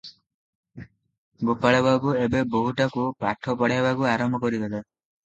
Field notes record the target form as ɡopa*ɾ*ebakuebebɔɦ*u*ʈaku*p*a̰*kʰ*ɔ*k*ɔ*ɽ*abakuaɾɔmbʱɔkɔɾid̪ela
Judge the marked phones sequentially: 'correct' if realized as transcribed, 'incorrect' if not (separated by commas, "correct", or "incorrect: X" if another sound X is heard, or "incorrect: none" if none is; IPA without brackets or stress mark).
incorrect: ɭ, correct, correct, incorrect: ʈʰ, incorrect: p, correct